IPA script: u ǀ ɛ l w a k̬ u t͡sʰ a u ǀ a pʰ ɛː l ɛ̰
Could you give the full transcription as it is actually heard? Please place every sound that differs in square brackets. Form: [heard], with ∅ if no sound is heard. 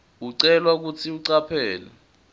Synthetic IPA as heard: u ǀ ɛ l w a k̬ u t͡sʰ [i] u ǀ a pʰ ɛː l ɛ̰